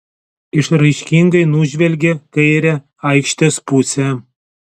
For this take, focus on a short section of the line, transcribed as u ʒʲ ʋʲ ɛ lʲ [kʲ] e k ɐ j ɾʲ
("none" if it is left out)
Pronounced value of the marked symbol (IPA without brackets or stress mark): ɡʲ